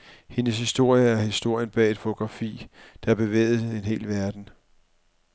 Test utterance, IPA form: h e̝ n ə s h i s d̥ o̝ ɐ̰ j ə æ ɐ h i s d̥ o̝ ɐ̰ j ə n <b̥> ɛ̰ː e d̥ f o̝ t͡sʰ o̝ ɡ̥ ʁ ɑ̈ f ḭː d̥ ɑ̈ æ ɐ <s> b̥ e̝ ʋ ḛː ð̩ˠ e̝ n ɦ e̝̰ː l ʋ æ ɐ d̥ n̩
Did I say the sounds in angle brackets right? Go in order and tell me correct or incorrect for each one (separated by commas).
correct, incorrect